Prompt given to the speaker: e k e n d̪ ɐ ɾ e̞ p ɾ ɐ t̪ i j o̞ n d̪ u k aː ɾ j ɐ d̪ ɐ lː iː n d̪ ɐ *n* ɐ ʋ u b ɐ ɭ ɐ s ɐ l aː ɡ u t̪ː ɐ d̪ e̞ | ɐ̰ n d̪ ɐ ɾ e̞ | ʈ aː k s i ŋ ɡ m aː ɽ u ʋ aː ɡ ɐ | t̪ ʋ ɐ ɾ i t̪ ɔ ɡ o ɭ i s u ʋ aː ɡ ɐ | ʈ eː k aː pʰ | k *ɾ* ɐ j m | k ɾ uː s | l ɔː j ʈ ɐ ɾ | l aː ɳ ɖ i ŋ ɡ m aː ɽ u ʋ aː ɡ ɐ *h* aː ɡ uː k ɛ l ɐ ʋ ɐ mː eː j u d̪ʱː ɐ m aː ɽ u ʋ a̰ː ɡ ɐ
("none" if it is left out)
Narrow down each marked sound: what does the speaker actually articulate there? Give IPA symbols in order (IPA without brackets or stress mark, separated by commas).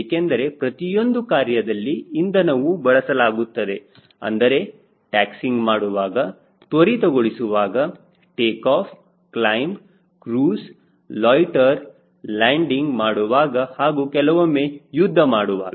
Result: n, l, h